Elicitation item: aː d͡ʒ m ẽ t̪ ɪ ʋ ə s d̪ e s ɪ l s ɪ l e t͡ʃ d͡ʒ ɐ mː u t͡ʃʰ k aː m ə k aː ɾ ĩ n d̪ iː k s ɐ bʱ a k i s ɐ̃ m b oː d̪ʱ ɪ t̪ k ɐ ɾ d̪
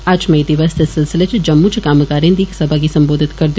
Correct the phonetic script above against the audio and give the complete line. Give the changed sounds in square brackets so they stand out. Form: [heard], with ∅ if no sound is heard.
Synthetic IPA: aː d͡ʒ m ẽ [d̪] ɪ ʋ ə s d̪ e s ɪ l s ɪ l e t͡ʃ d͡ʒ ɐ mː u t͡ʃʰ k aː m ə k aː ɾ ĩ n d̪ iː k s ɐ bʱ a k i s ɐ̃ m b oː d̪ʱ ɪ t̪ k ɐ ɾ d̪